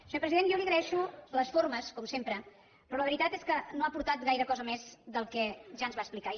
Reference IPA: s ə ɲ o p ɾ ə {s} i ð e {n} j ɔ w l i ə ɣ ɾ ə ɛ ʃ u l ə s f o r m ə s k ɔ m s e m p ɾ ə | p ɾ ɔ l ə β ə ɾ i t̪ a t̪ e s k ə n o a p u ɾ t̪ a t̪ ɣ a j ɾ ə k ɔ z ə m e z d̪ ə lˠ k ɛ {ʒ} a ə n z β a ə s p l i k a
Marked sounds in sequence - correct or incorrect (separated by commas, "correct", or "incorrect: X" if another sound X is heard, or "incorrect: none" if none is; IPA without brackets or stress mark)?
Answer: incorrect: z, correct, correct